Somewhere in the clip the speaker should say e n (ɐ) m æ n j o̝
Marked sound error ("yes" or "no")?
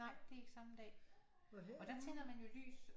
no